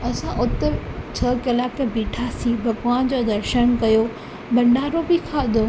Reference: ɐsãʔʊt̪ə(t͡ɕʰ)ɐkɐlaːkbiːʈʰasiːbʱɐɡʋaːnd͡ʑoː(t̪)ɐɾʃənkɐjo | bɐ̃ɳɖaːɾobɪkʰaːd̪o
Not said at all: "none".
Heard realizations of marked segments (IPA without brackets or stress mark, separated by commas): t͡ɕʰ, d̪